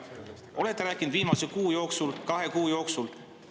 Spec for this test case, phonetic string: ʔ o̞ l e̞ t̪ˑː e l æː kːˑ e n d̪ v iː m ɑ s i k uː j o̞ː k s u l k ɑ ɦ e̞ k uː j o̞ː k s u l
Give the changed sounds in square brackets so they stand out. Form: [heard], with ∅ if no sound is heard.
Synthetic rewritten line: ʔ o̞ l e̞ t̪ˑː e [ɾ] æː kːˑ [i] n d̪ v iː m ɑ s [e] k uː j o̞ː k s u l k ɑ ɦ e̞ k uː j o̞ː k s u l